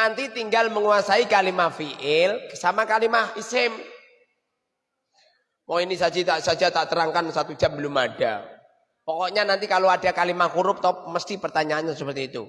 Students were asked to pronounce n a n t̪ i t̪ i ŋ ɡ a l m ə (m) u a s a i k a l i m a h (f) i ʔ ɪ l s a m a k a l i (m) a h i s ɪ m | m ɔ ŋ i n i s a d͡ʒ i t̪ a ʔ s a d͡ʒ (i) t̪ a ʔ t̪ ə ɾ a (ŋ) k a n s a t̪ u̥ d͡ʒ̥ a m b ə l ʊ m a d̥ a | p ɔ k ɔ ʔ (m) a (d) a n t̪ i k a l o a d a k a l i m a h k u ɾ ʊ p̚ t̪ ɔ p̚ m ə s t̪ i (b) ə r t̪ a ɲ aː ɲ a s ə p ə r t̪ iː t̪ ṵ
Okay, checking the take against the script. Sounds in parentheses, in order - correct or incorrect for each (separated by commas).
incorrect, correct, correct, incorrect, correct, incorrect, incorrect, incorrect